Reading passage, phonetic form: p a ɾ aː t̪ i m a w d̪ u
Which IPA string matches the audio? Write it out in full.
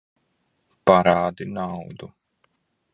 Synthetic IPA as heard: p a ɾ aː d̪ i n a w d̪ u